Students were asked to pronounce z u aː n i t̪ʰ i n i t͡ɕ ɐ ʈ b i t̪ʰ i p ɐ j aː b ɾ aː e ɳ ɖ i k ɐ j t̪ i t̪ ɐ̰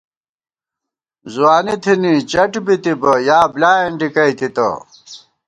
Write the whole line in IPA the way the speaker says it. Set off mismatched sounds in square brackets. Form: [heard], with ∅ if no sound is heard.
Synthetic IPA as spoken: z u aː n i t̪ʰ i n i t͡ɕ ɐ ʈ b i [t̪] i [b] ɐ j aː b [l] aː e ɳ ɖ i k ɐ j t̪ i t̪ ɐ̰